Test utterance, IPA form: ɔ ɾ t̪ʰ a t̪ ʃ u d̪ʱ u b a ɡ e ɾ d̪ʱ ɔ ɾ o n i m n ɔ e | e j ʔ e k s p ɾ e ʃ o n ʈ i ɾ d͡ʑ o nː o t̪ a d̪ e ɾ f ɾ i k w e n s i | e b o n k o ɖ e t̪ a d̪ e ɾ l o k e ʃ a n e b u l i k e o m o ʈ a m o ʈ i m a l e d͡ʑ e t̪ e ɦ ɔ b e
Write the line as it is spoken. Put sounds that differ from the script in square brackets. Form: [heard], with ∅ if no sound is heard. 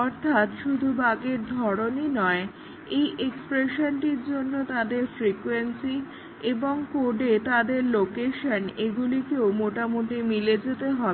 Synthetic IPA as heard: ɔ ɾ t̪ʰ a t̪ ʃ u d̪ʱ u b a ɡ e ɾ d̪ʱ ɔ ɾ o n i [∅] n ɔ e | e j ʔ e k s p ɾ e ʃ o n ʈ i ɾ d͡ʑ o nː o t̪ a d̪ e ɾ f ɾ i k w e n s i | e b o [ŋ] k o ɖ e t̪ a d̪ e ɾ l o k e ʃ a n e [ɡ] u l i k e o m o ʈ a m o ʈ i m [i] l e d͡ʑ e t̪ e ɦ ɔ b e